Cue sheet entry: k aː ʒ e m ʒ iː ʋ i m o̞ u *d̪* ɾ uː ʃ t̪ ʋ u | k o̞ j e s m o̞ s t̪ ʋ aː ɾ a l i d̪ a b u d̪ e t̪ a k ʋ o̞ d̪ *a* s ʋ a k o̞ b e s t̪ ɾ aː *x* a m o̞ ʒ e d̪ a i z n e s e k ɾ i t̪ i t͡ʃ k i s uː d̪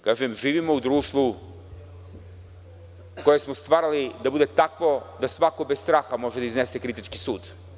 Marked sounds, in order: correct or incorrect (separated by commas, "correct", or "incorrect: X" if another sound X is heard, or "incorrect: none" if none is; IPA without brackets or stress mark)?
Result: correct, correct, correct